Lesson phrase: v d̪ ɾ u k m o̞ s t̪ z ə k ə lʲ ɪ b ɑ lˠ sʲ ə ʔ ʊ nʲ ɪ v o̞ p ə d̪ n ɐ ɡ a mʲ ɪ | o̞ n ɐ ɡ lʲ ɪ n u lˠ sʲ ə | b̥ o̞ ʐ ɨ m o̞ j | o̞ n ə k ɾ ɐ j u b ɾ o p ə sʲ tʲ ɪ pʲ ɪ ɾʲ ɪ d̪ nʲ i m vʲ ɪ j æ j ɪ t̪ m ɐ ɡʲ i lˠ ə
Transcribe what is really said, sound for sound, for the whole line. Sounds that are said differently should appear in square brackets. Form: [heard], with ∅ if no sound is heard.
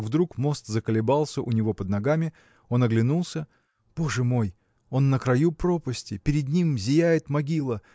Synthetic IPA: v d̪ ɾ u k m o̞ s t̪ z ə k ə lʲ ɪ b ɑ lˠ sʲ ə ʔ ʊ nʲ ɪ v o̞ p ə d̪ n ɐ ɡ a mʲ ɪ | o̞ n ɐ ɡ lʲ ɪ n u lˠ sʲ ə | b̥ o̞ ʐ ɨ m o̞ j | o̞ [nː] ə k ɾ ɐ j u [p] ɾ o p ə sʲ tʲ ɪ pʲ ɪ ɾʲ ɪ d̪ nʲ i m [zʲ] ɪ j æ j ɪ t̪ m ɐ ɡʲ i lˠ ə